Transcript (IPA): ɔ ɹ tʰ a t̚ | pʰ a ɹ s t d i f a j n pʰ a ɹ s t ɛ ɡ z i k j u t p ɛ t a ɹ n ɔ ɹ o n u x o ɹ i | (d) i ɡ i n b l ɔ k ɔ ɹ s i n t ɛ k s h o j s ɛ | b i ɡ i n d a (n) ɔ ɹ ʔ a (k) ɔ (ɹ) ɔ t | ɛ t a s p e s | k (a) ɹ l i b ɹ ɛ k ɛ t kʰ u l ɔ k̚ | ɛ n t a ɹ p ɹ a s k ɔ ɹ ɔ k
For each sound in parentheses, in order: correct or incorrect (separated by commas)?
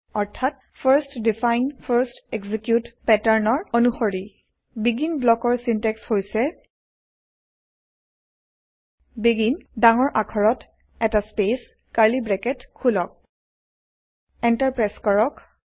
incorrect, incorrect, incorrect, correct, correct